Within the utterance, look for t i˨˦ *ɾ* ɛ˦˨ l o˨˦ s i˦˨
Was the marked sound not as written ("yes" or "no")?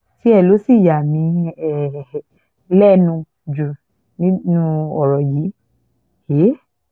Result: yes